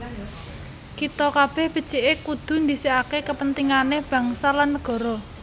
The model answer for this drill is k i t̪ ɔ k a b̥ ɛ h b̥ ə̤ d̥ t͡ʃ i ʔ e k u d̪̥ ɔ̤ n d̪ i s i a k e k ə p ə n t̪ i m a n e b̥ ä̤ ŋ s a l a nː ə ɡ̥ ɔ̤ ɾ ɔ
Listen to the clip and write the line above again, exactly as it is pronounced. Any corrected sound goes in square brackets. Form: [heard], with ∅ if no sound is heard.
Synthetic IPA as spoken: k i t̪ ɔ k a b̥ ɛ h b̥ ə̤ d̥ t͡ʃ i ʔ e k u d̪̥ [ṳ] n d̪ i s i a k e k ə p ə n t̪ i [ŋ] a n e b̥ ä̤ ŋ s a l a nː ə ɡ̥ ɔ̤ ɾ ɔ